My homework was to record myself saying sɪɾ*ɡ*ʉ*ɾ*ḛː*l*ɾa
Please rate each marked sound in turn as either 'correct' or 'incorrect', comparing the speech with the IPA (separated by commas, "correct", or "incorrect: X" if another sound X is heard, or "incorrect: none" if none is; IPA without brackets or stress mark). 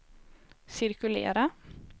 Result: incorrect: k, incorrect: l, incorrect: none